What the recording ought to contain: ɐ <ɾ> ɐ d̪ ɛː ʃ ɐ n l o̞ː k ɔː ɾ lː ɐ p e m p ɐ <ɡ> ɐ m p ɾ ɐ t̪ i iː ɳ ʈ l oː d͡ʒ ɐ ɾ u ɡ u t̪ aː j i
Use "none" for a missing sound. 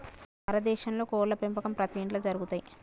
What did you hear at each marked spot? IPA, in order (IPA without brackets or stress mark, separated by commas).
ɾ, k